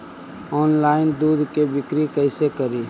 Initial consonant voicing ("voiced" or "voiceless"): voiced